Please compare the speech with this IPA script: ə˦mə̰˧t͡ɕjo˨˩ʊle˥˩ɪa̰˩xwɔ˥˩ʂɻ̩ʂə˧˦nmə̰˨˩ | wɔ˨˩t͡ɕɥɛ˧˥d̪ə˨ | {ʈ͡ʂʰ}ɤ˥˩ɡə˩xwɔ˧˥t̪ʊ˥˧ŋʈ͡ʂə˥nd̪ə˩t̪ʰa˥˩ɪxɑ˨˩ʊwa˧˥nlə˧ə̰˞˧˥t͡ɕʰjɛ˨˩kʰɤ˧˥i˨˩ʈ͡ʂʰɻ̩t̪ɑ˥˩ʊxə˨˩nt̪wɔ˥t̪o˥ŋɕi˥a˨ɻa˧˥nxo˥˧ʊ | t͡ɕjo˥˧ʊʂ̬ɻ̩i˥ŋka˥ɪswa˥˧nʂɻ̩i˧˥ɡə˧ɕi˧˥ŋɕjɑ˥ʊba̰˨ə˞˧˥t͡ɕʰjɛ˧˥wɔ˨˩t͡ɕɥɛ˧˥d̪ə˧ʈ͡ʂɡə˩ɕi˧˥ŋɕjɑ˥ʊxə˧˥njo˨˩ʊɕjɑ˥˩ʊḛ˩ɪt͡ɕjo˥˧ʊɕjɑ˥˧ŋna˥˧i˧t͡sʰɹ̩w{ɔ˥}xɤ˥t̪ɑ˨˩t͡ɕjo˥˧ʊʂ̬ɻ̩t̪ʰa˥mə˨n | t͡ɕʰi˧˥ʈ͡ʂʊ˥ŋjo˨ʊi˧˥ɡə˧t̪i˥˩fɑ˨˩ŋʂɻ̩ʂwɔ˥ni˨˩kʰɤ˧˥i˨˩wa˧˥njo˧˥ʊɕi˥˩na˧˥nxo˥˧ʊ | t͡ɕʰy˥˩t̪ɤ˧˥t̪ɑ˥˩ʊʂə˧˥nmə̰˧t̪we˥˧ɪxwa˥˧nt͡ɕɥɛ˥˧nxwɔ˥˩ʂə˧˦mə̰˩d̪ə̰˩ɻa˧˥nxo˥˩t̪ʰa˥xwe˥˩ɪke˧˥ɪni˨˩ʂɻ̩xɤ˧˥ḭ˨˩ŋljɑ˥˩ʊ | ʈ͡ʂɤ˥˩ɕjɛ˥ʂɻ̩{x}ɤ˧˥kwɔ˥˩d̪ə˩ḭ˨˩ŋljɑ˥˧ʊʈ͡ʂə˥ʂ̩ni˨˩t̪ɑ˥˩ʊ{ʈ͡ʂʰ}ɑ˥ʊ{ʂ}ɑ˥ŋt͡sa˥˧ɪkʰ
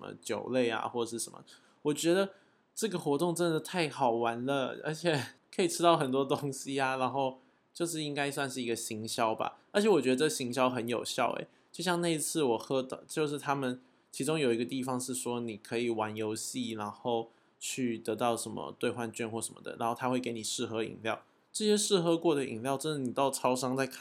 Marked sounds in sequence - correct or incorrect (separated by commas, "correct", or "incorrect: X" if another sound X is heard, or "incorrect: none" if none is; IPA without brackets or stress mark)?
incorrect: ʈ͡ʂ, incorrect: ɔ˨˩, correct, correct, correct